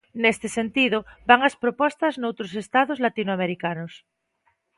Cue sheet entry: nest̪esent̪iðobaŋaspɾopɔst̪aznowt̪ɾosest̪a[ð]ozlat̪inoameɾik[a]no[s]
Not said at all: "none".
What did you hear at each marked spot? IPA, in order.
ð, a, s

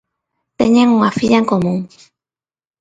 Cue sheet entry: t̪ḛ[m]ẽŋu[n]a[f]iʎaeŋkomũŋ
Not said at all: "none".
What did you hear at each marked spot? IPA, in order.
ɲ, ŋ, f

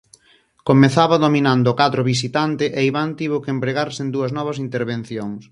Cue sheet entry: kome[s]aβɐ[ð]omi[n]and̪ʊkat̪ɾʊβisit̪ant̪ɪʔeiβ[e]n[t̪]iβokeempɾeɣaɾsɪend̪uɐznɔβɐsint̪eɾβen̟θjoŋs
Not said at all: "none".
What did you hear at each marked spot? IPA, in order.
θ, ð, n, a, t̪

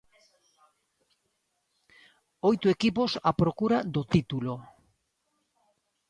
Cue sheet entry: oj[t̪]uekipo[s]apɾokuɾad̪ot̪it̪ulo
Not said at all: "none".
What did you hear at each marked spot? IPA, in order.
t̪, s

